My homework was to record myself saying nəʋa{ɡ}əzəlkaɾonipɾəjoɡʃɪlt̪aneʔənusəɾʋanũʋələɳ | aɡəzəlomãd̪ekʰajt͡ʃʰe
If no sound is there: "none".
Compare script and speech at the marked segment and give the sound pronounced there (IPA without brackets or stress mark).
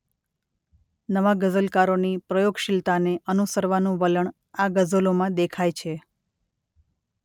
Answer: ɡ